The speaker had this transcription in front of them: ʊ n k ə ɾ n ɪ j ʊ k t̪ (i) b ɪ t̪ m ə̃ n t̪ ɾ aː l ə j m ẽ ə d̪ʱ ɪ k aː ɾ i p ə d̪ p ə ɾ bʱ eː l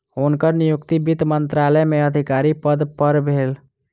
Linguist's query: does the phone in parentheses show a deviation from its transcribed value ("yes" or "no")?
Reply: no